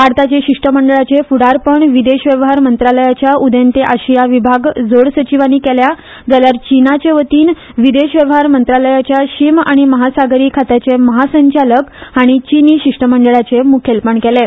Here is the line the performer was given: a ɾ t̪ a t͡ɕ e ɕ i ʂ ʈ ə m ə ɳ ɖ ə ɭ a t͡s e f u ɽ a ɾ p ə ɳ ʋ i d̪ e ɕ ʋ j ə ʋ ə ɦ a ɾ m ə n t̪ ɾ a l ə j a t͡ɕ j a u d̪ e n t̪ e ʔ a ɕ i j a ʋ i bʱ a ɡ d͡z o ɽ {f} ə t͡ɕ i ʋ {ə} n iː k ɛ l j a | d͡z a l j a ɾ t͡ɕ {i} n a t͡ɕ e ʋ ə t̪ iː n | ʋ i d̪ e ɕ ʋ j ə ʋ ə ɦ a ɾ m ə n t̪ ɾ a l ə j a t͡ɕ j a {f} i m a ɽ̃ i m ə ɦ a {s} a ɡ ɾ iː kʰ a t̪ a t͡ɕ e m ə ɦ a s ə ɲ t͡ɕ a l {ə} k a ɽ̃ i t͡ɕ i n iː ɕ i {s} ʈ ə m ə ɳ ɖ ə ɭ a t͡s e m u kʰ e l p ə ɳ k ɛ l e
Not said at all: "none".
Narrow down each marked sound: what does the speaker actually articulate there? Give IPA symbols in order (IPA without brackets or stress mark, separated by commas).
s, a, i, ɕ, s, ə, ʂ